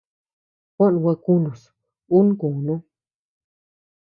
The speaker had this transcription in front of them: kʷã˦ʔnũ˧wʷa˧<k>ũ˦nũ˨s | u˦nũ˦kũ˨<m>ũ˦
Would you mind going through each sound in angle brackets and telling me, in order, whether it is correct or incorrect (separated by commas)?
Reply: correct, incorrect